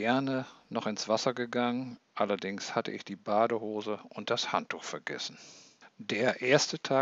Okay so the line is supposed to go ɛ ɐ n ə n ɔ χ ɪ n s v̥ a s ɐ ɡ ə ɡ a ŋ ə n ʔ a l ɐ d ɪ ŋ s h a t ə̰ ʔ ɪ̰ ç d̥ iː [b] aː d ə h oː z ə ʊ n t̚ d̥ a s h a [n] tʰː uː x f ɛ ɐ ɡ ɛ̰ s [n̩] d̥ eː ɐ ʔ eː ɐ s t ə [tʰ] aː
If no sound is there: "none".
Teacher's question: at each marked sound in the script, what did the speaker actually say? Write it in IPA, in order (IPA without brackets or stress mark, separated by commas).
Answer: b, n, n̩, tʰ